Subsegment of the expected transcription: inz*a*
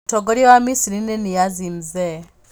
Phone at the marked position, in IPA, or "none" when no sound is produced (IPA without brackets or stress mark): ɛ